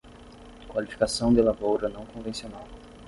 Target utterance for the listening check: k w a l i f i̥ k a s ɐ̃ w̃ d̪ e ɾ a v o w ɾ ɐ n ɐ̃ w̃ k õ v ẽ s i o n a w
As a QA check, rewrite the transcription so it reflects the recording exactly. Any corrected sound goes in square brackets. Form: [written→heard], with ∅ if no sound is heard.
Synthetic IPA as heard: k w a l i f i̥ k a s ɐ̃ w̃ d̪ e [ɾ→l] a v o w ɾ ɐ n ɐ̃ w̃ k õ v ẽ s i o n a w